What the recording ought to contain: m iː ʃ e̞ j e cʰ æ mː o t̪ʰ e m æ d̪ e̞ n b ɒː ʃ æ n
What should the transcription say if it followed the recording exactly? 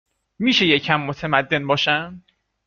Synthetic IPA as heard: m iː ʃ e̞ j e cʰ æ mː o t̪ʰ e m æ d̪ː e̞ n b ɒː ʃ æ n